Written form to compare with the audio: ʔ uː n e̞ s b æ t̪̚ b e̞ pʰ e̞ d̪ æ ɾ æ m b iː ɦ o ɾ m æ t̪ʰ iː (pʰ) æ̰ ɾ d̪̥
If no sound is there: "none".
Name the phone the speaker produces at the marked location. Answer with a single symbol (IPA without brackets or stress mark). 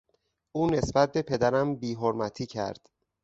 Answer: cʰ